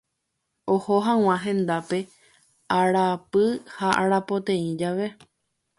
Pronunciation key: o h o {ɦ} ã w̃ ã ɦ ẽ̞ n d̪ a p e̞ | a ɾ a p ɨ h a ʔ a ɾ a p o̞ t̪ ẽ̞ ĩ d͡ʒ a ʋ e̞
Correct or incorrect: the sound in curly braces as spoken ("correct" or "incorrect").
correct